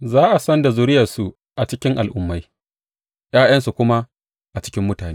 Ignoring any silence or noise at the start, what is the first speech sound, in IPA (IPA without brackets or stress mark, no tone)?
z